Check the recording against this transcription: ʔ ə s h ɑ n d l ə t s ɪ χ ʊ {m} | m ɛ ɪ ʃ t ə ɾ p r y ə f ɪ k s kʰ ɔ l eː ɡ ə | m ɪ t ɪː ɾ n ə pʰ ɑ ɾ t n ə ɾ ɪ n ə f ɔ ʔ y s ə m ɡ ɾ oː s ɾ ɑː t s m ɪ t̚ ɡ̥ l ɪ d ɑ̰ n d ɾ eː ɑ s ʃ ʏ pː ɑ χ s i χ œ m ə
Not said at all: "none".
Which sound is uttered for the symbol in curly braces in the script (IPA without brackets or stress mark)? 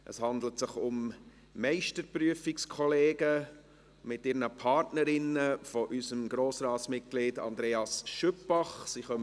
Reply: m